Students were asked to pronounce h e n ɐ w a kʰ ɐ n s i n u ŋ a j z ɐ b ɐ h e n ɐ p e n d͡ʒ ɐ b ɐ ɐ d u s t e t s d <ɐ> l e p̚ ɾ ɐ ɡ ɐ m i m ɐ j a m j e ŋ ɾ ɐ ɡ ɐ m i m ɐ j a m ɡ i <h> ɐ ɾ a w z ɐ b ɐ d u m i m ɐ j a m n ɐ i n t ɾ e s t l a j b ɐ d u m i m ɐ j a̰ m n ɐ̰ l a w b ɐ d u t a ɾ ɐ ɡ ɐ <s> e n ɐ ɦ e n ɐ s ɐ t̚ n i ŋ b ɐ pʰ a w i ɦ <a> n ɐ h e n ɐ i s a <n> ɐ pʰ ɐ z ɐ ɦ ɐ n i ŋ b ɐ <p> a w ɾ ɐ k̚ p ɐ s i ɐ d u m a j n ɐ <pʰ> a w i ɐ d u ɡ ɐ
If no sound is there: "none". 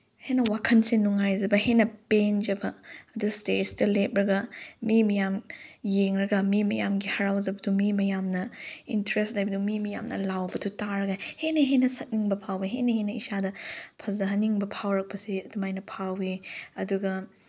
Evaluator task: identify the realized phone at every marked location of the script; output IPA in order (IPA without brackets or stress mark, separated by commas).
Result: ɐ, h, h, e, d, pʰ, pʰ